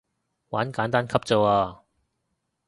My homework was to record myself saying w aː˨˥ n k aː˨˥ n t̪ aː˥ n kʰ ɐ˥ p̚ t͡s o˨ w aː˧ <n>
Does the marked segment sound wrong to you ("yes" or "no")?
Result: yes